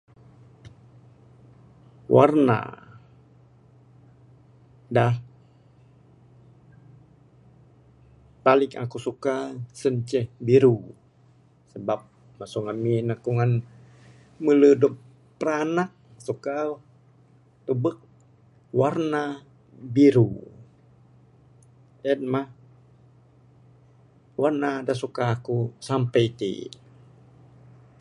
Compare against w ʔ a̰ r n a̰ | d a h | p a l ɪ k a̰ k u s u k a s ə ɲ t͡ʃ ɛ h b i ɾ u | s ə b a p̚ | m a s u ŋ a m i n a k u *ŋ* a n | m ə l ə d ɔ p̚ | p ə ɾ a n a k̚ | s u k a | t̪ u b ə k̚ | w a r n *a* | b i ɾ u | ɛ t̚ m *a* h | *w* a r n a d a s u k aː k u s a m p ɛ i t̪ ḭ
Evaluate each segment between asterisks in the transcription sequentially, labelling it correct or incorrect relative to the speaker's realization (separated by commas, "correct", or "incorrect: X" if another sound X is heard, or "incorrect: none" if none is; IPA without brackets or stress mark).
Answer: correct, correct, correct, correct